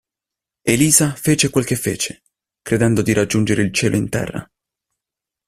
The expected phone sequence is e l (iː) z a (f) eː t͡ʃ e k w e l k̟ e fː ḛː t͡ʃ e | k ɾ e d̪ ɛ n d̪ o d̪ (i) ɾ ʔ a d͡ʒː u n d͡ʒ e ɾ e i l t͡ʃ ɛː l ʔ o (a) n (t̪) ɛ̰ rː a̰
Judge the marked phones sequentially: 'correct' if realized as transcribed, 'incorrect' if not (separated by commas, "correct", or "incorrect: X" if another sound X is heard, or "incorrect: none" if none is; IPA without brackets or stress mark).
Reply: correct, correct, correct, incorrect: i, correct